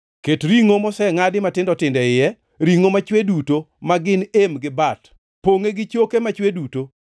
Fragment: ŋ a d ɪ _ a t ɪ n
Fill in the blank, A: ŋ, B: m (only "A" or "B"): B